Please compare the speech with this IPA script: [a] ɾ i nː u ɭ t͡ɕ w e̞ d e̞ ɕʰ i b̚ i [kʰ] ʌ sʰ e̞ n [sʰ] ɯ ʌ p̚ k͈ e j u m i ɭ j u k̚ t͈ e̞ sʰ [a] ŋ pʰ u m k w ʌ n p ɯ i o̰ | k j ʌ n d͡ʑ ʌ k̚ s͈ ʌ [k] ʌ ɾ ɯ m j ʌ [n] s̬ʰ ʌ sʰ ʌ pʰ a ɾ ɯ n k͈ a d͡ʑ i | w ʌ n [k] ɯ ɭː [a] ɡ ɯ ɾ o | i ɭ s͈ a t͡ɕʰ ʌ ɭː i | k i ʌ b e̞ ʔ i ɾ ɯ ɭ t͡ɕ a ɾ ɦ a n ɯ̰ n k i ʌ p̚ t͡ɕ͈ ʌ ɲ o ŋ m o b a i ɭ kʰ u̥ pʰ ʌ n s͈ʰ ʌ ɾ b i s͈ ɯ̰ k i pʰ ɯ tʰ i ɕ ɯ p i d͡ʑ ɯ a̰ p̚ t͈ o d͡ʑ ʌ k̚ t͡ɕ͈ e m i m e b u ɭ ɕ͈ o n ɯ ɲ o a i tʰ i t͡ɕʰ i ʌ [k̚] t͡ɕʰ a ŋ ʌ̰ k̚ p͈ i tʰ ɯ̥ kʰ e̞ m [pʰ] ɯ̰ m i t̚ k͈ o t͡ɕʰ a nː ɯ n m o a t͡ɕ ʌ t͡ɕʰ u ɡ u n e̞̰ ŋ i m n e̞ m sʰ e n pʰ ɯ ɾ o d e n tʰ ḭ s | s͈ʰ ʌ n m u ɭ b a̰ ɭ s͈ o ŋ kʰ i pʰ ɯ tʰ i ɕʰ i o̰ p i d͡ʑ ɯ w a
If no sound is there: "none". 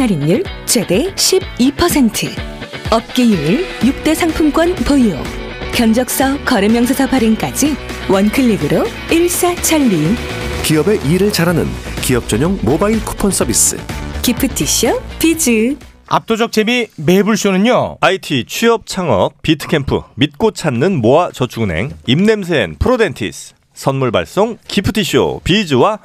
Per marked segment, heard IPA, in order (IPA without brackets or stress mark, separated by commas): a, pʰ, tʰ, a, k, ŋ, kʰ, i, p̚, pʰ